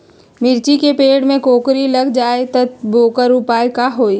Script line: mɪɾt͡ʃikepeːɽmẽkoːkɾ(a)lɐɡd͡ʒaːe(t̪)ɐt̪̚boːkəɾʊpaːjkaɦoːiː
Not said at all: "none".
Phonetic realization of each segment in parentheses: i, t̪

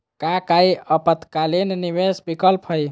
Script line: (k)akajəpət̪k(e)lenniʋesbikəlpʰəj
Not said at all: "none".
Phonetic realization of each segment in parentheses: k, a

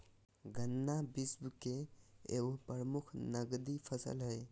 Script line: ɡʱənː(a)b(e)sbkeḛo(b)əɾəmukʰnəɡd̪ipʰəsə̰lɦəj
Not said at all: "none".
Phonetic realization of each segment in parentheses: a, i, p

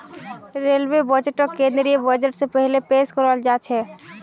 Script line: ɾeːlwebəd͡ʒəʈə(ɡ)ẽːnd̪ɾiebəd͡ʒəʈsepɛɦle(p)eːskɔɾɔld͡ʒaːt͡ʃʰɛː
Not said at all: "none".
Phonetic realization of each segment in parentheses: k, p

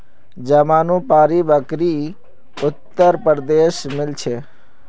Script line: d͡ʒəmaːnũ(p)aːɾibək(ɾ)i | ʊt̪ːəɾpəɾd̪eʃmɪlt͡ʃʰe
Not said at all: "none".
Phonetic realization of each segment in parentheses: p, ɾ

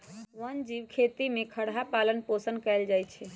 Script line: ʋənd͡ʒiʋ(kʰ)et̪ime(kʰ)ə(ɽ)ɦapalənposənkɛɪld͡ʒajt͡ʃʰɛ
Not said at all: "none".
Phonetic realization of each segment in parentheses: kʰ, kʰ, ɽ

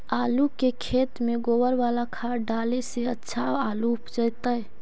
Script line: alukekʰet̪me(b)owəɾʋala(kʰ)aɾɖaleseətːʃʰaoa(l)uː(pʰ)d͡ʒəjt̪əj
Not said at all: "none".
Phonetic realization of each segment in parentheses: ɡ, kʰ, l, p

